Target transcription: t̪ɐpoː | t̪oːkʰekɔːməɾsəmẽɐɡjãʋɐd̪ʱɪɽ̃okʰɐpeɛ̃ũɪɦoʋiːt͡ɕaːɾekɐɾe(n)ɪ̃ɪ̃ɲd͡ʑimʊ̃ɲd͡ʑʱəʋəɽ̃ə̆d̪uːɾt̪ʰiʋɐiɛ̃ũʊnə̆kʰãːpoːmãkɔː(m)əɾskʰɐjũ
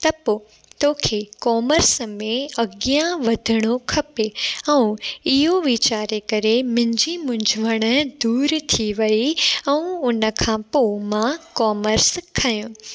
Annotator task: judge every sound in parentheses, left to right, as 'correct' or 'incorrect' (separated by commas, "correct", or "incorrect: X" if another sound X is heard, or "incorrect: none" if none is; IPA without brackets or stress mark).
incorrect: m, correct